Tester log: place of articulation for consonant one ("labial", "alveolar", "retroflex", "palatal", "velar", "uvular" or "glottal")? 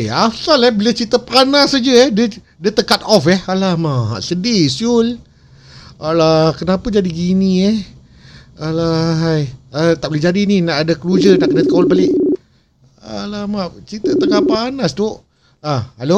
alveolar